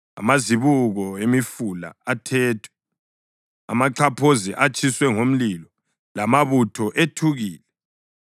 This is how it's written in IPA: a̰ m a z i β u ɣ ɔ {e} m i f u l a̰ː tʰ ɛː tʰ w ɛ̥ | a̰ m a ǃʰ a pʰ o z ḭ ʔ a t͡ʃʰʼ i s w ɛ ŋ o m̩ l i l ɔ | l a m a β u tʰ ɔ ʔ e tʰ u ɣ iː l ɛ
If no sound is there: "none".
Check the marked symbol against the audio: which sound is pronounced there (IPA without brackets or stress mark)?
e